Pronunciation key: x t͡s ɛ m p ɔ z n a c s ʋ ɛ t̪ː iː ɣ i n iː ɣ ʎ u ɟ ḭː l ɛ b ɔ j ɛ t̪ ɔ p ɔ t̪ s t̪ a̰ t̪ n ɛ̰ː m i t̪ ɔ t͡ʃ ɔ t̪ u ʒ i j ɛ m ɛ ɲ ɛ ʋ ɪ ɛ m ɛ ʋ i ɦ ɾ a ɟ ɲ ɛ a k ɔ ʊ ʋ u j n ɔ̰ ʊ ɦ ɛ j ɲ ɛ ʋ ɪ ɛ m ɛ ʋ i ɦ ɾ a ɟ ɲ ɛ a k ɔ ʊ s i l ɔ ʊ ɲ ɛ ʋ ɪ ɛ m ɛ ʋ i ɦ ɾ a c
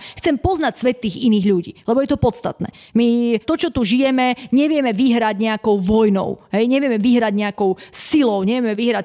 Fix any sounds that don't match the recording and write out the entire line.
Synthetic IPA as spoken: x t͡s ɛ m p ɔ z n a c s ʋ ɛ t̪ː iː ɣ i n iː ɣ ʎ u ɟ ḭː l ɛ b ɔ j ɛ t̪ ɔ p ɔ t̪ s t̪ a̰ t̪ n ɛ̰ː m i t̪ ɔ t͡ʃ ɔ t̪ u ʒ i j ɛ m ɛ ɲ ɛ ʋ ɪ ɛ m ɛ ʋ i ɦ ɾ a ɟ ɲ ɛ a k ɔ ʊ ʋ ɔ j n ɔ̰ ʊ ɦ ɛ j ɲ ɛ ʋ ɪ ɛ m ɛ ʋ i ɦ ɾ a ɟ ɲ ɛ a k ɔ ʊ s i l ɔ ʊ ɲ ɛ ʋ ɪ ɛ m ɛ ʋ i ɦ ɾ a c